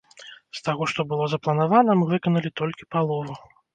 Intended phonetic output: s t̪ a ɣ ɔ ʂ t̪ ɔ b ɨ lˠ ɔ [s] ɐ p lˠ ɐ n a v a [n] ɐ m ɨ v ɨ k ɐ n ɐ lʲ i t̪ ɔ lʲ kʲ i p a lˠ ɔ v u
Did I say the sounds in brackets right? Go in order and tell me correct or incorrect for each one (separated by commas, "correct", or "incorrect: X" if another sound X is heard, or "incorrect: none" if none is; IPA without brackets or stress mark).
incorrect: z, correct